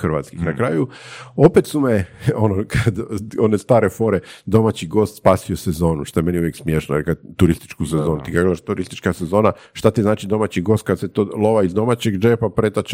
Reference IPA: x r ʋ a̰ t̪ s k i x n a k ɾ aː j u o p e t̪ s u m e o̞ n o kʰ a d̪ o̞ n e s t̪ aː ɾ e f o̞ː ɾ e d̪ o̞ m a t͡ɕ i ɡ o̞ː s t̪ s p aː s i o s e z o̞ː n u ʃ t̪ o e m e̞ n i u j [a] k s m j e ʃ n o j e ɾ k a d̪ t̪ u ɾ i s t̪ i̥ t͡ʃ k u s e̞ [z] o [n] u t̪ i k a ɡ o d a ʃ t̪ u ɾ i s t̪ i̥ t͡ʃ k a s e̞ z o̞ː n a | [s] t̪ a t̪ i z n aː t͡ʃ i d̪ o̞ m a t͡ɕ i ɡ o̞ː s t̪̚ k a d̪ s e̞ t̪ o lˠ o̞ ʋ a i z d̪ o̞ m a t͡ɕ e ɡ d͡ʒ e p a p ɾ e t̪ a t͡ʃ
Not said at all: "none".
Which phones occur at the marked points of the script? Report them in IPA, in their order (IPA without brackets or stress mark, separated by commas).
e, z, n, ʃ